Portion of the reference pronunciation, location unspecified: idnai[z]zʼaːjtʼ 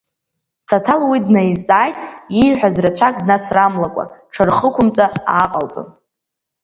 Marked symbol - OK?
yes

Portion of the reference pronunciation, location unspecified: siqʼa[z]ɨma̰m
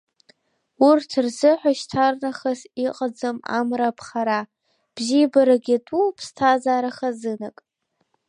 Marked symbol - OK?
no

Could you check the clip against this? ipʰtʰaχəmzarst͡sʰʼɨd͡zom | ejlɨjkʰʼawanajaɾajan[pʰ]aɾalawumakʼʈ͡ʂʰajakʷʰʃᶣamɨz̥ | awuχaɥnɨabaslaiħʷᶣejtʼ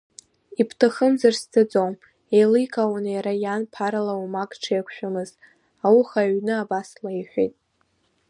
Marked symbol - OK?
yes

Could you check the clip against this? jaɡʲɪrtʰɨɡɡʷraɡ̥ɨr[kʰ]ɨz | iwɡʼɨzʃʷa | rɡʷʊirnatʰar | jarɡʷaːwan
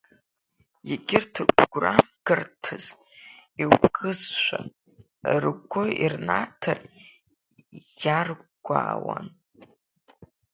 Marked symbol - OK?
no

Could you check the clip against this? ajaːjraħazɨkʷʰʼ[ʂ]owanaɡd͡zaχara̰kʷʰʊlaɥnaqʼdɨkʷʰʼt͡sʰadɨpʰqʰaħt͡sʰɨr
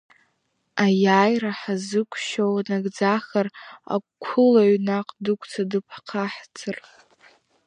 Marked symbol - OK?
no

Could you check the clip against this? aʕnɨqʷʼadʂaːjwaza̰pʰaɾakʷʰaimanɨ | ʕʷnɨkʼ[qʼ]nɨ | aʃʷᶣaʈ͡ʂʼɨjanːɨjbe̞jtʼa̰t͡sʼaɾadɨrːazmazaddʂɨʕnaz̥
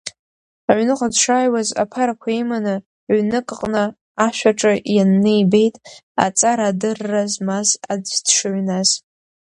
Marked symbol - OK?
yes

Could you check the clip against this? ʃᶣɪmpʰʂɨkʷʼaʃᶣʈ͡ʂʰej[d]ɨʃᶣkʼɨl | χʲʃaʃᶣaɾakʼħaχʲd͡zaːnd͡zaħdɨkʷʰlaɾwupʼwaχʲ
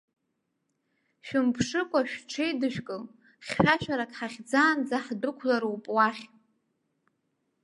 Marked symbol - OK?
yes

